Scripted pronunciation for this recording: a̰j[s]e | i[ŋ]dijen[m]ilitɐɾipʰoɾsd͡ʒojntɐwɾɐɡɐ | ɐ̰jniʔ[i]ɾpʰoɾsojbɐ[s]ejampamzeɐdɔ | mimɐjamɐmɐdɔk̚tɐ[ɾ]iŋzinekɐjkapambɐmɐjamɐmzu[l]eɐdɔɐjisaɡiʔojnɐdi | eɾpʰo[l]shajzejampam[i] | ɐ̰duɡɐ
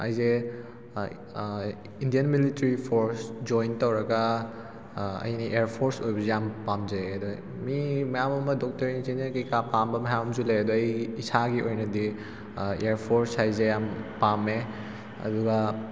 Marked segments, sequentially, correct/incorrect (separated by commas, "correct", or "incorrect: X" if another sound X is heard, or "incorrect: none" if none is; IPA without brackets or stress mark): incorrect: z, incorrect: n, correct, incorrect: e, incorrect: z, correct, correct, incorrect: ɾ, incorrect: e